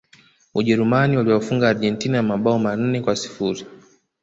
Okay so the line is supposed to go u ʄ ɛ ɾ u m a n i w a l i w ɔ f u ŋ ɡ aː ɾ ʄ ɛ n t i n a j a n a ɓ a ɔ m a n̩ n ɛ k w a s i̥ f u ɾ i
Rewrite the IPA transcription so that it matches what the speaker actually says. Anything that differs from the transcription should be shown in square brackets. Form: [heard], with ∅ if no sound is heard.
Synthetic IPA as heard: u ʄ ɛ ɾ u m a n i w a l i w ɔ f u ŋ ɡ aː ɾ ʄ ɛ n t i n a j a [m] a ɓ a ɔ m a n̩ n ɛ k w a s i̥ f u ɾ i